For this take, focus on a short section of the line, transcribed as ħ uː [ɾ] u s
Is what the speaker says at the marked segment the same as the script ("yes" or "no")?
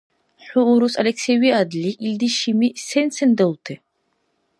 yes